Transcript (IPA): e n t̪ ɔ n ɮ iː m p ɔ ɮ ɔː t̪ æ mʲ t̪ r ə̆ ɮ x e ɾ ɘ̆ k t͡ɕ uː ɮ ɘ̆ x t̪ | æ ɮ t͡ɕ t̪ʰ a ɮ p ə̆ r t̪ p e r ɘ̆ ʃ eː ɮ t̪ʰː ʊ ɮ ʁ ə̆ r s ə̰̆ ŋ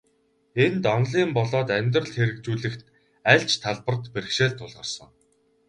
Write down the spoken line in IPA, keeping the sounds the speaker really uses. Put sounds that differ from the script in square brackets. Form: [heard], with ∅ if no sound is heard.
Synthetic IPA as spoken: e n t̪ ɔ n ɮ iː m p ɔ ɮ ɔː t̪ æ mʲ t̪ r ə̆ ɮ x e ɾ ɘ̆ k t͡ɕ uː ɮ ɘ̆ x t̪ | æ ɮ t͡ɕ t̪ʰ a ɮ p ə̆ r t̪ p e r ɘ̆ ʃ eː ɮ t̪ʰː ʊ ɮ ʁ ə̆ r s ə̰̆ ŋ